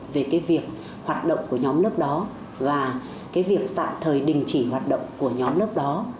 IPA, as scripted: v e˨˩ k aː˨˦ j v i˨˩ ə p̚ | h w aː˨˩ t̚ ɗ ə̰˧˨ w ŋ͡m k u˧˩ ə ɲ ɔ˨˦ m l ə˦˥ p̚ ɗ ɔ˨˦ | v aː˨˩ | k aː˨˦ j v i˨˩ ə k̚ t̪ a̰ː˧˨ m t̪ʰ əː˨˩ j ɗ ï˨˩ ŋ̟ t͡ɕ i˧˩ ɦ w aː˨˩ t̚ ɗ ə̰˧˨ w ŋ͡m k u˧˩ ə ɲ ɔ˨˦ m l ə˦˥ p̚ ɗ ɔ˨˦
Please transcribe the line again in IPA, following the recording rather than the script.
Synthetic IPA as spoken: v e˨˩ k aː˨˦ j v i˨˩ ə k̚ | h w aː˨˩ t̚ ɗ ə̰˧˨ w ŋ͡m k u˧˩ ə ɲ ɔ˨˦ m l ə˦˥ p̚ ɗ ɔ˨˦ | v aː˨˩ | k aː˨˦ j v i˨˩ ə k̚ t̪ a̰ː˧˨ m t̪ʰ əː˨˩ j ɗ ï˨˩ ŋ̟ t͡ɕ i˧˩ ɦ w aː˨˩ t̚ ɗ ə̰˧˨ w ŋ͡m k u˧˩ ə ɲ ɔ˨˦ m l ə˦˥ p̚ ɗ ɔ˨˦